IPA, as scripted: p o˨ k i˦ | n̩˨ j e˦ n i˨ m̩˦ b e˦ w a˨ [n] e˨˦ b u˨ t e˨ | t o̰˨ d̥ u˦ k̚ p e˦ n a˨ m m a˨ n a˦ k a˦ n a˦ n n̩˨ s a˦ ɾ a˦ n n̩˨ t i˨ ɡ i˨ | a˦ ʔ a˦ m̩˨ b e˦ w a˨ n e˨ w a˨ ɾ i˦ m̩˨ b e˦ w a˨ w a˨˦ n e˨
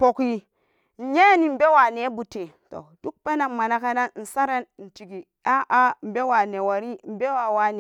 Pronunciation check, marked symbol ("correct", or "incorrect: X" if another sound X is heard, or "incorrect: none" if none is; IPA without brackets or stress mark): correct